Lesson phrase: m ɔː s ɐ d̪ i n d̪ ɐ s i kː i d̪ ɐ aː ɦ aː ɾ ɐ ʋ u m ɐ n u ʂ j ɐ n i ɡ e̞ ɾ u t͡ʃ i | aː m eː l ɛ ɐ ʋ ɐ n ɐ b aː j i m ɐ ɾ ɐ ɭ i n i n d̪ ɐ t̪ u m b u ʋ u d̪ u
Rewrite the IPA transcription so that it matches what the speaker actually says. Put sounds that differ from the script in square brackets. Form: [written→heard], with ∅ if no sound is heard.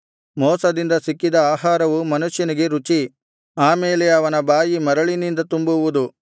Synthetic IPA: m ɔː s ɐ d̪ i n d̪ ɐ s i kː i d̪ ɐ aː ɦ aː ɾ ɐ ʋ u m ɐ n u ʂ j ɐ n i ɡ e̞ ɾ u t͡ʃ i | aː m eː l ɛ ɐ ʋ ɐ n ɐ b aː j i m ɐ ɾ ɐ ɭ i n i n d̪ ɐ t̪ u m b u ʋ u d̪ u